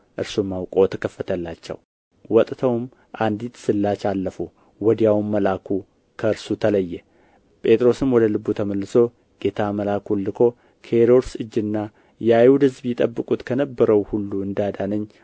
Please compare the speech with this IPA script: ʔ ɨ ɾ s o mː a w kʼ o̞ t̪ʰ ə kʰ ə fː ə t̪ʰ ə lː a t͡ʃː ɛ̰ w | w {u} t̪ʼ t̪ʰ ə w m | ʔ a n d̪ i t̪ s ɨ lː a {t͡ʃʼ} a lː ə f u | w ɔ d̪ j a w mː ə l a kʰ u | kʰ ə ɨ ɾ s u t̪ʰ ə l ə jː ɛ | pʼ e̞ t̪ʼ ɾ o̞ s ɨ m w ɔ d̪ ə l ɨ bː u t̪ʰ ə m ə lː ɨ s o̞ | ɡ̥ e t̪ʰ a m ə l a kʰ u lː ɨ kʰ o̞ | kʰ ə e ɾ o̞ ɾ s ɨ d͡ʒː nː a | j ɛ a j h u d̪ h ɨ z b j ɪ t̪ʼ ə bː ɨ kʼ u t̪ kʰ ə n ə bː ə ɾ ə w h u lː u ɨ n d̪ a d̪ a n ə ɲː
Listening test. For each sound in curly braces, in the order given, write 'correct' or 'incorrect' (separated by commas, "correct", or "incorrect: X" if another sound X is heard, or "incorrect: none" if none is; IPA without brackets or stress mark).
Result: incorrect: ɔ, incorrect: t͡ʃ